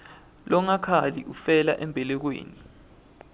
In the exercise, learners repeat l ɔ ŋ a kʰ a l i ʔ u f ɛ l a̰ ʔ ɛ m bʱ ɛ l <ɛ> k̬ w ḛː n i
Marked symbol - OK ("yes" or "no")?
yes